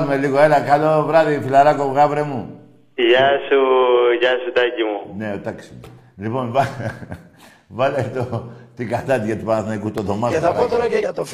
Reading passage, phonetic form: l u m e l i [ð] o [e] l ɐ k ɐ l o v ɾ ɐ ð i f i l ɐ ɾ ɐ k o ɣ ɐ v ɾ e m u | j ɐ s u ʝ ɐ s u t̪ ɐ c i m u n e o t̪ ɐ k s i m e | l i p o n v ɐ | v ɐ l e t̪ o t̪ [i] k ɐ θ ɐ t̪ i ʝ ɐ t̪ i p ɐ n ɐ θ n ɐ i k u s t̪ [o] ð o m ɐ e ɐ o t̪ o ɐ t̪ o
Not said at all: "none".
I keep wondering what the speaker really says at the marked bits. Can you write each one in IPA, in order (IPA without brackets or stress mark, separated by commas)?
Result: ɣ, e, i, o